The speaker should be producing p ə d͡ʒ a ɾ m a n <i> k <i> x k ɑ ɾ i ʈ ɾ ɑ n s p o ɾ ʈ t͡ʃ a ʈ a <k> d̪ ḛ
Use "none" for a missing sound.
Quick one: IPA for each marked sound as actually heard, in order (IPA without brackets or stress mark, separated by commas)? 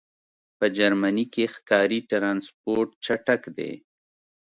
i, e, k